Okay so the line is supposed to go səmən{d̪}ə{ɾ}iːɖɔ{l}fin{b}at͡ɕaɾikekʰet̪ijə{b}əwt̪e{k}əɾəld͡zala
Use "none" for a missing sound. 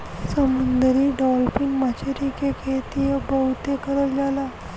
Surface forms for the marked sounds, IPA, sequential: d̪, ɾ, l, m, b, k

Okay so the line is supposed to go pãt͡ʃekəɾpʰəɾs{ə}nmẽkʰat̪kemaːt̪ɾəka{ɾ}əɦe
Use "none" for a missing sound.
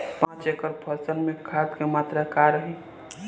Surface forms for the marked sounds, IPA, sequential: ə, ɾ

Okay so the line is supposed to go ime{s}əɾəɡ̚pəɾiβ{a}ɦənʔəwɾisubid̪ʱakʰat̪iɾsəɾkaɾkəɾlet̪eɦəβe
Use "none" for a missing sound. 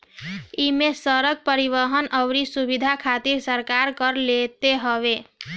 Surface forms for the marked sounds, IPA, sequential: s, ə

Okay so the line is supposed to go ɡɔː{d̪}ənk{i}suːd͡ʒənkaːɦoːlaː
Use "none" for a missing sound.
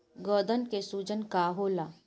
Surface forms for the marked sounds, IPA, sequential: d̪, e

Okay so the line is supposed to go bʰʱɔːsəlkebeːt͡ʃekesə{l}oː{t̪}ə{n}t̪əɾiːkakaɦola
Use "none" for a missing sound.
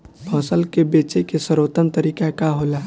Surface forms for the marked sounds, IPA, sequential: ɾ, t̪, n

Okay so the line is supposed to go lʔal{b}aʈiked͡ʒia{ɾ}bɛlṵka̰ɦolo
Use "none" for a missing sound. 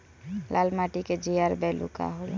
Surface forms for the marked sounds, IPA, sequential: m, ɾ

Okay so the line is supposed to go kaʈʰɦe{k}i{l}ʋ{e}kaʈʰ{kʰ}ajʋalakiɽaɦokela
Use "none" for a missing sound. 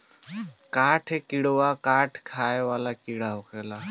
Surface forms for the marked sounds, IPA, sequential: k, ɽ, a, kʰ

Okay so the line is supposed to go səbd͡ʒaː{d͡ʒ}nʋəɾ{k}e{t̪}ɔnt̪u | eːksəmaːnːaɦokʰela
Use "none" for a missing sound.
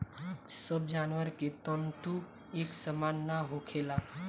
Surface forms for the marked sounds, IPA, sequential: none, k, t̪

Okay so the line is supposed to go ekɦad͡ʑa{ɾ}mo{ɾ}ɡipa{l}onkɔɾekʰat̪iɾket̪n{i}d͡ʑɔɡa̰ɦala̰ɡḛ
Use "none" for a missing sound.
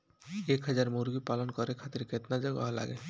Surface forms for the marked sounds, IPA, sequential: ɾ, ɾ, l, a

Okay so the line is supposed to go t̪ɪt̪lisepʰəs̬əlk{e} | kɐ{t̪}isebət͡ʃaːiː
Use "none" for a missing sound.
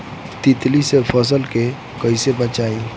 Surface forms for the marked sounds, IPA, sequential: e, none

